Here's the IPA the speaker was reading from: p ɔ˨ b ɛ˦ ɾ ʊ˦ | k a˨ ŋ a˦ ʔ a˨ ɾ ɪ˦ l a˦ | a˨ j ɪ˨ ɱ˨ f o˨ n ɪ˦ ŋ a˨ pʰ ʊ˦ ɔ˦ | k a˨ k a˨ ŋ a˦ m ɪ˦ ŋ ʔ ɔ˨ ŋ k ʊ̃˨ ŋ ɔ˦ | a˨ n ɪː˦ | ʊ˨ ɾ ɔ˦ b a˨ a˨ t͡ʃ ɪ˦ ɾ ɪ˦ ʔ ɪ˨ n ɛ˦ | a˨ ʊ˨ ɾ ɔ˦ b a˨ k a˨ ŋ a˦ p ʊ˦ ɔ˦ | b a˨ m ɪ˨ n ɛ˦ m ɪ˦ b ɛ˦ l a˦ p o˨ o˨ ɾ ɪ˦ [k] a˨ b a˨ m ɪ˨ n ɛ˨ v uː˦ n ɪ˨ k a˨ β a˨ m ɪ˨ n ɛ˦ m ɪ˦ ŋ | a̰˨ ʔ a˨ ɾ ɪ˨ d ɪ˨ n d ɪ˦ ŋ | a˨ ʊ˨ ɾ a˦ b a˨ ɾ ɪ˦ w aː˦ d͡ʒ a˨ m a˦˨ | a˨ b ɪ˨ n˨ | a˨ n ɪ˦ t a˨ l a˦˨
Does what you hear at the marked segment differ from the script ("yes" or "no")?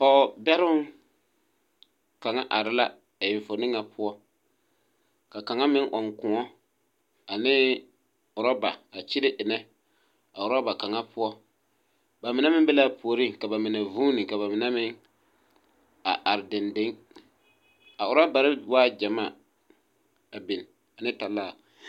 no